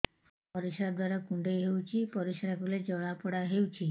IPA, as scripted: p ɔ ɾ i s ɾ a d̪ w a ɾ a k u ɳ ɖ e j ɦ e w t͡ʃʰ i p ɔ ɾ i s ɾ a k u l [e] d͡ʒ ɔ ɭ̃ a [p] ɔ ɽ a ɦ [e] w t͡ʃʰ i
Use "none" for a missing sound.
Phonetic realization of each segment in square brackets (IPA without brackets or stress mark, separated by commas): e, p, e